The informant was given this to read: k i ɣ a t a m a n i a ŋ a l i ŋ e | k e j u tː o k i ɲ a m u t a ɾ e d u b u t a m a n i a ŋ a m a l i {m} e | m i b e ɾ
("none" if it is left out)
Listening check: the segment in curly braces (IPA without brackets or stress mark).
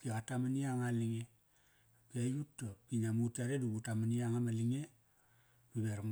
ŋ